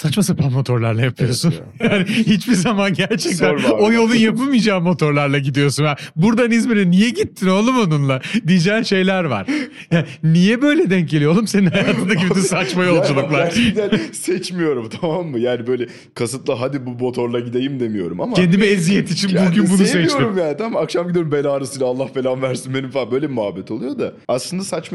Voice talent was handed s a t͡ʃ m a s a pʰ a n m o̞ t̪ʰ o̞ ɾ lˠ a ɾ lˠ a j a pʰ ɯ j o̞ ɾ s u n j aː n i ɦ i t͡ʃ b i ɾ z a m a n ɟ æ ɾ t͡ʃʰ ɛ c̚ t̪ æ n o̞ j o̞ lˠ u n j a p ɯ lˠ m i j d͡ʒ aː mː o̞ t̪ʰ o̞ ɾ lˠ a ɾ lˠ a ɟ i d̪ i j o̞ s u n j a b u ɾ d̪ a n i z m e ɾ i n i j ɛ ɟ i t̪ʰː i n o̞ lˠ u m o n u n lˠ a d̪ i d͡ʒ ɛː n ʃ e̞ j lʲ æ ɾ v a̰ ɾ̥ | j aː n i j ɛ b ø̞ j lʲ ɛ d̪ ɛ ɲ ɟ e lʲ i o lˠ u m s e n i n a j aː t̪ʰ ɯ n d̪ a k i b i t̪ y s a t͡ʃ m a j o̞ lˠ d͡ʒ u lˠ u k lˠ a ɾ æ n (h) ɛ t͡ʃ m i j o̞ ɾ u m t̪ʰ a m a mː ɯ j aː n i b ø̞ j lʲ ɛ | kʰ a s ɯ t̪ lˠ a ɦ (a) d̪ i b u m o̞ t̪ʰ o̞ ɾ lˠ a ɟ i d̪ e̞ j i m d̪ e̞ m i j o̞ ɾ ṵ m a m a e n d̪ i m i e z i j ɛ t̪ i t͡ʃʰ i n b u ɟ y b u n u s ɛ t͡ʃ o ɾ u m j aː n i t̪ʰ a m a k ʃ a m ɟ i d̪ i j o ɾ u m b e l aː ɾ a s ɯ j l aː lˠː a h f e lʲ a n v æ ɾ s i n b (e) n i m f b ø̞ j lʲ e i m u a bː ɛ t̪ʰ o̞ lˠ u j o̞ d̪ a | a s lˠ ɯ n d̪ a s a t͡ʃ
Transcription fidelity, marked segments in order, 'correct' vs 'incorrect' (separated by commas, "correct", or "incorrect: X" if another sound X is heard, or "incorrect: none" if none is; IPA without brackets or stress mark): incorrect: s, correct, correct